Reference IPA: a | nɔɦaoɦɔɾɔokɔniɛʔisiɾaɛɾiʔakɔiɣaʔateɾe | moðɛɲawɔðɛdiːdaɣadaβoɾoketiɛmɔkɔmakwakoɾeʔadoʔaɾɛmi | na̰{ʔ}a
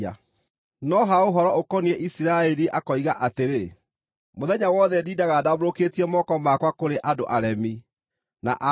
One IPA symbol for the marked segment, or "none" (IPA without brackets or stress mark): ʔ